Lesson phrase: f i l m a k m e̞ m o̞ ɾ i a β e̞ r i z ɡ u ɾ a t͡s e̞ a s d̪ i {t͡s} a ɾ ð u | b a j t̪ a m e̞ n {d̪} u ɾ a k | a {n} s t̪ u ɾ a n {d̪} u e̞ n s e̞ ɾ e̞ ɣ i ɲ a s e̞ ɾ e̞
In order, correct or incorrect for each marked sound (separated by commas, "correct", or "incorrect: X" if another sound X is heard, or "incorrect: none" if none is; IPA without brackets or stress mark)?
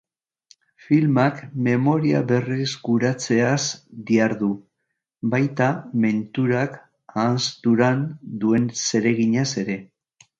incorrect: none, incorrect: t̪, correct, correct